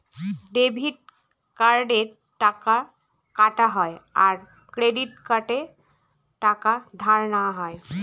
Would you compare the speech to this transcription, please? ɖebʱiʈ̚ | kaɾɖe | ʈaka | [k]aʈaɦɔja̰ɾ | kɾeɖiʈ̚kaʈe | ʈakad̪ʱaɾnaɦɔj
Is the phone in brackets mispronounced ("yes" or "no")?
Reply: no